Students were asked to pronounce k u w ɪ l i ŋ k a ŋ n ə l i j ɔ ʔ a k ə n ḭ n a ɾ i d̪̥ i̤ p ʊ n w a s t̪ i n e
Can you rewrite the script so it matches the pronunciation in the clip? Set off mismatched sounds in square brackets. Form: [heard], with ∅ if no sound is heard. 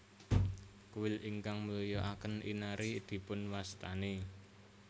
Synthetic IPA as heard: k u w ɪ l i ŋ k a ŋ [m] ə l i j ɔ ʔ a k ə n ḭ n a ɾ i d̪̥ i̤ p ʊ n w a s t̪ [a] n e